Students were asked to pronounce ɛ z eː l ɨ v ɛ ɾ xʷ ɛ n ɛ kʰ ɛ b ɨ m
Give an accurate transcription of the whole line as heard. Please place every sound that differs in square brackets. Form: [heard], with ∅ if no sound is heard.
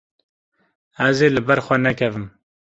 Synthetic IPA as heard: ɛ z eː l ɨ [b] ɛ ɾ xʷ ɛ n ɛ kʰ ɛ [v] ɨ m

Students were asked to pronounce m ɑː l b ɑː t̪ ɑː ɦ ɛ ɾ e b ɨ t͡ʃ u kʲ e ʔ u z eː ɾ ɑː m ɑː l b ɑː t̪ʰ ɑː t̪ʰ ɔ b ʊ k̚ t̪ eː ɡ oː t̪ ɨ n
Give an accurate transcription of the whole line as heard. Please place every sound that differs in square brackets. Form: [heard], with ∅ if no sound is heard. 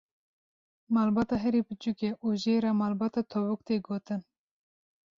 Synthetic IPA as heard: m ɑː l b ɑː t̪ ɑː ɦ ɛ ɾ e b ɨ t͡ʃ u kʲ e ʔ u [ʒ] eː ɾ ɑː m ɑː l b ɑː [t̪] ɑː t̪ʰ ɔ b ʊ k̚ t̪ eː ɡ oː t̪ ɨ n

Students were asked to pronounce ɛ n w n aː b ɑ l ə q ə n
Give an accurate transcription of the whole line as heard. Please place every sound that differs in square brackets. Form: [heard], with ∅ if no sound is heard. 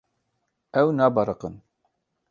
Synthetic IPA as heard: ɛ [∅] w n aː b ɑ [ɾ] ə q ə n

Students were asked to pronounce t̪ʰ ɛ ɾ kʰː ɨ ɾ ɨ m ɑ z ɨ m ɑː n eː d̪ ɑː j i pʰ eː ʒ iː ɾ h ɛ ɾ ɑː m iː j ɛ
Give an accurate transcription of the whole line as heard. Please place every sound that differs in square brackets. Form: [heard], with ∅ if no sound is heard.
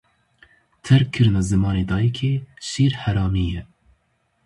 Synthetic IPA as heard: t̪ʰ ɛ ɾ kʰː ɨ ɾ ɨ [n] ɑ z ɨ m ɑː n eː d̪ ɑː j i [kʰ] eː [ʃ] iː ɾ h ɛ ɾ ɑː m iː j ɛ

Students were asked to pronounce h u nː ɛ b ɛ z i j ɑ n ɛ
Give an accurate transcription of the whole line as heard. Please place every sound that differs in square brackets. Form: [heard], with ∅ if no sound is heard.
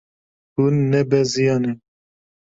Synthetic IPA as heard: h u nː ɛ b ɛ z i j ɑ n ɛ

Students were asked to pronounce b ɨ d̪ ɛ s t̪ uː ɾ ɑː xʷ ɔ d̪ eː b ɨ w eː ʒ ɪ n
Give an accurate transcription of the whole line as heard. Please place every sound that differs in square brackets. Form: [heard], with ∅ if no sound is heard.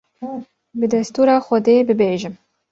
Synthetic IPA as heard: b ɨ d̪ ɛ s t̪ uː ɾ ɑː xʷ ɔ d̪ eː b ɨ [b] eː ʒ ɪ [m]

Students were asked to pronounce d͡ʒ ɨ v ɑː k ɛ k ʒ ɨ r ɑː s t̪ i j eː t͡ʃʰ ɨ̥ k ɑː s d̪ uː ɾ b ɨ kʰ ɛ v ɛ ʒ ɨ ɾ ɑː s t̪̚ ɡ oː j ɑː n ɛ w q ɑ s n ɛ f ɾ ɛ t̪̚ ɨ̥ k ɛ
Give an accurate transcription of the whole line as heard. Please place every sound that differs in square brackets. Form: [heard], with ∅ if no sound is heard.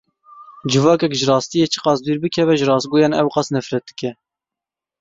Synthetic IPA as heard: d͡ʒ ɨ v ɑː k ɛ k ʒ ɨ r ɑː s t̪ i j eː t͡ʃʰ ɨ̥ [q] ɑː s d̪ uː ɾ b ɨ kʰ ɛ v ɛ ʒ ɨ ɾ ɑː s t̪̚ ɡ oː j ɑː n ɛ w q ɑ s n ɛ f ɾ ɛ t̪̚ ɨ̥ k ɛ

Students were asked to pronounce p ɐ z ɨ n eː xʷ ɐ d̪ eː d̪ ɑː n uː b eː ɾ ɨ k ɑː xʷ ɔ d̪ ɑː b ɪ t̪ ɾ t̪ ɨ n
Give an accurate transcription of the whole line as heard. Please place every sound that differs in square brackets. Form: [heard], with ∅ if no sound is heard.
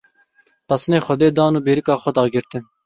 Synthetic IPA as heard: p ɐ [s] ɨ n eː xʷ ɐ d̪ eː d̪ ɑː n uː b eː ɾ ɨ k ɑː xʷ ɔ d̪ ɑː [ɡ] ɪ [∅] ɾ t̪ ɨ n

